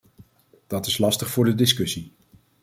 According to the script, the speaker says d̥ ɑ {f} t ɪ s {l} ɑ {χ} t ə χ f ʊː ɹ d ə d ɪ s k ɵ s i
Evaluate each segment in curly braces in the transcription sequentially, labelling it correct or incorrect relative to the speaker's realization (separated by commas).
incorrect, correct, incorrect